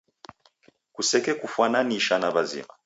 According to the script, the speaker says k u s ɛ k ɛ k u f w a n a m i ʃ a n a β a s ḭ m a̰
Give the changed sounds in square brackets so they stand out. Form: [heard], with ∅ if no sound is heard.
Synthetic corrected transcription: k u s ɛ k ɛ k u f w a n a [n] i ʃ a n a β a [z] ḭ m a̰